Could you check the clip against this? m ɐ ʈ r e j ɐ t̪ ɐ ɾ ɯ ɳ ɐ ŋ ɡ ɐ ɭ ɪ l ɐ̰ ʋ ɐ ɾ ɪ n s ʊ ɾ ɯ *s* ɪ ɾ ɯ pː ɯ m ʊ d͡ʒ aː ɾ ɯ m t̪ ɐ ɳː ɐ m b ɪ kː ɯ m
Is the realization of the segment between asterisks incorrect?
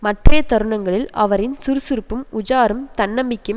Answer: no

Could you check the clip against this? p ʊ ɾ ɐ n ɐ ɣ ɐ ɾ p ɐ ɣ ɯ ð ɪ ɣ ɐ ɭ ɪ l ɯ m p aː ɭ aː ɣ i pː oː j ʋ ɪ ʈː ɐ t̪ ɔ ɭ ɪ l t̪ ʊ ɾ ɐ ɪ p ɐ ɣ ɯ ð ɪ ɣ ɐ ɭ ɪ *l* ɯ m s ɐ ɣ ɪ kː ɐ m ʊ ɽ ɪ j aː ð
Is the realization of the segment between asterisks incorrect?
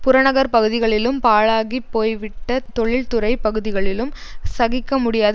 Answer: no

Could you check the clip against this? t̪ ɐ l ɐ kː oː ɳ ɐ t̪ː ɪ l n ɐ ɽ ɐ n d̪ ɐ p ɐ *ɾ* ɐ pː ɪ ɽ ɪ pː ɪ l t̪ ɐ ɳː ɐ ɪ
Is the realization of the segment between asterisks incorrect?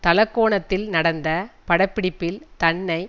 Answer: yes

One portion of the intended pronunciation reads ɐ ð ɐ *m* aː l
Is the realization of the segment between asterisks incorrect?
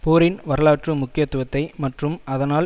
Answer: yes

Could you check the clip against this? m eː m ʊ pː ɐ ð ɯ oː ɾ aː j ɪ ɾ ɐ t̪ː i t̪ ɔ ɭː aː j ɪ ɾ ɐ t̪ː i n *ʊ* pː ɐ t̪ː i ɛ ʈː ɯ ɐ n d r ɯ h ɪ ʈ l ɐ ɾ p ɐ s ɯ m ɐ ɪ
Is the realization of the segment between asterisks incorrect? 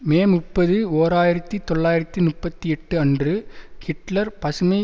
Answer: no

